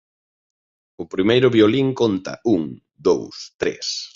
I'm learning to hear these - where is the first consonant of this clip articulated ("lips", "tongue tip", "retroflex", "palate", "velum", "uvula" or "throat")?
lips